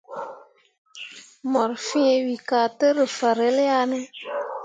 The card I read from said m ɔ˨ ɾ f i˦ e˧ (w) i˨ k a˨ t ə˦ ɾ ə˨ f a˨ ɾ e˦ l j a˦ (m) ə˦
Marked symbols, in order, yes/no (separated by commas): yes, no